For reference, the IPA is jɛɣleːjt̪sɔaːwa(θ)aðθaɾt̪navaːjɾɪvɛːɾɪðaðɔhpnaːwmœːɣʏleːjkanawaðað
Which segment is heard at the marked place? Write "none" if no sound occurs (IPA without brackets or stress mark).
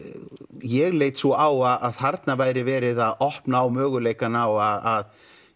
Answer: ð